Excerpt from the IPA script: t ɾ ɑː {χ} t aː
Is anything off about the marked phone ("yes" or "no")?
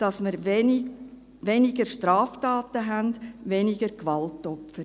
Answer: yes